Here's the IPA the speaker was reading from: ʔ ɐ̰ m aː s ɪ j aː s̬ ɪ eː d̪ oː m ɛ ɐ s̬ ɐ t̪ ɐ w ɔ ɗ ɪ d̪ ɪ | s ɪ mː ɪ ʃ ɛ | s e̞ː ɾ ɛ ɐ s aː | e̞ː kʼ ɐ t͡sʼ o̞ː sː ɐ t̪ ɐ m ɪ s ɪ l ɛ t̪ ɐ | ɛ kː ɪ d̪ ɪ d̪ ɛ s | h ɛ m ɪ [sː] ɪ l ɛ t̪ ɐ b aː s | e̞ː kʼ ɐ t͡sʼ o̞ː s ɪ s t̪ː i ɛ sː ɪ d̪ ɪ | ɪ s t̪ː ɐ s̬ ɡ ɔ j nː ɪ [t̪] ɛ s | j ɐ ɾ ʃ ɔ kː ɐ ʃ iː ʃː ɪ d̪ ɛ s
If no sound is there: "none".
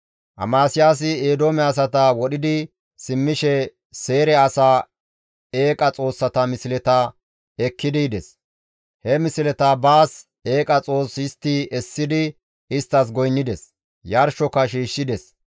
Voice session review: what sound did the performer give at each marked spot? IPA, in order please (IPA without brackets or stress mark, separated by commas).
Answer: s, d̪